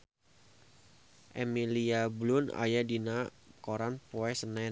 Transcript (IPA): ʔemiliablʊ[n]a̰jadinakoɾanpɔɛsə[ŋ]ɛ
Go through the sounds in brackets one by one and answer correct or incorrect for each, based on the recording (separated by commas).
correct, incorrect